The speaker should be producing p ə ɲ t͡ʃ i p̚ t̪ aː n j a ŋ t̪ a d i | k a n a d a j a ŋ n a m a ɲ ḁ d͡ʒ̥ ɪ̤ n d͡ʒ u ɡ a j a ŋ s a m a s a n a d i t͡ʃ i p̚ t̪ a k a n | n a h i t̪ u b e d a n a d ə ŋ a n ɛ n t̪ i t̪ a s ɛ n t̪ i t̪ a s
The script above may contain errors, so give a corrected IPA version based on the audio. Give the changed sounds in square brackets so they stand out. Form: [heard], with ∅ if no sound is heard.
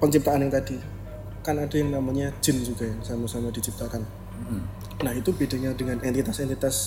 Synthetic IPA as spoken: p ə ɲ t͡ʃ i p̚ t̪ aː n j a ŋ t̪ a d i | k a n a d a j a ŋ n a m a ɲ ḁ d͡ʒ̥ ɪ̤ n d͡ʒ u ɡ a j a ŋ s a m a s a [m] a d i t͡ʃ i p̚ t̪ a k a n | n a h i t̪ u b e d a [ɲ] a d ə ŋ a n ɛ n t̪ i t̪ a s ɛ n t̪ i t̪ a s